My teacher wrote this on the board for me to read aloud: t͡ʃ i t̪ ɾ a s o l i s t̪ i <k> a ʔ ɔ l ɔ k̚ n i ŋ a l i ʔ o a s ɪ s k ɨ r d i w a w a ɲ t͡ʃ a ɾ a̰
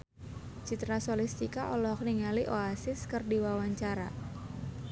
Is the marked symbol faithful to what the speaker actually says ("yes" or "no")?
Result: yes